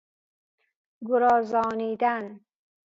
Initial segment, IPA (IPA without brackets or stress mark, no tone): ɡ